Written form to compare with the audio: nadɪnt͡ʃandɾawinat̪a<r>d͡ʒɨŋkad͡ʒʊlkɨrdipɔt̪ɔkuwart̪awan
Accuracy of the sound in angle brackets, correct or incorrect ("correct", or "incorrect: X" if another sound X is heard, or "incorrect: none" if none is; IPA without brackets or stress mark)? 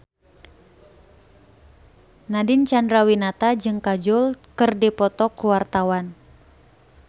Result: incorrect: none